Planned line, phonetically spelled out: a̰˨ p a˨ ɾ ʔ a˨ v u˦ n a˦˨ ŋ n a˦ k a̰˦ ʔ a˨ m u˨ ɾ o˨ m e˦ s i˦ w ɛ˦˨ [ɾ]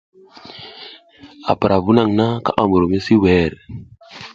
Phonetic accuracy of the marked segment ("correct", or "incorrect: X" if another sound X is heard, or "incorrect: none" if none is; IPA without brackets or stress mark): correct